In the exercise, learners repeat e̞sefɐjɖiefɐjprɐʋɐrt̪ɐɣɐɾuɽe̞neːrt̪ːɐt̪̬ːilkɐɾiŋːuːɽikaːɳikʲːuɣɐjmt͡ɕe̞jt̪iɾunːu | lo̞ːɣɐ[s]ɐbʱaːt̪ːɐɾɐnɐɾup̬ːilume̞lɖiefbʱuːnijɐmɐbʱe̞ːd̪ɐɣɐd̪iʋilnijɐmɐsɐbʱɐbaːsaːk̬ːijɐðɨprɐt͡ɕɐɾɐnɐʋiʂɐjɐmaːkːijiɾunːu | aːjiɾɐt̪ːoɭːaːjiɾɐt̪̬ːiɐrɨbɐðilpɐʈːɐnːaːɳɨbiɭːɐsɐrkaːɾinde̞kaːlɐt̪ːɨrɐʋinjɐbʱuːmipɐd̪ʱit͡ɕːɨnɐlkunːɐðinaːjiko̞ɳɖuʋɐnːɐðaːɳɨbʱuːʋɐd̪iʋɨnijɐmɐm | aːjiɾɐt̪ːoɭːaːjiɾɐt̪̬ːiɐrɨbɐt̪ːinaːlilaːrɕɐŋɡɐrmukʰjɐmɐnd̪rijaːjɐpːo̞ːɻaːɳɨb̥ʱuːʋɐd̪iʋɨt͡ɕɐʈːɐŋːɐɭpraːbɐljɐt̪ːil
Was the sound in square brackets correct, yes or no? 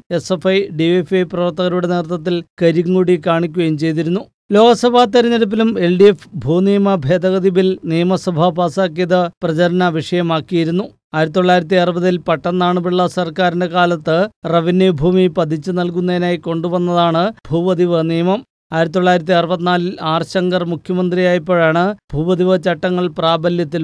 yes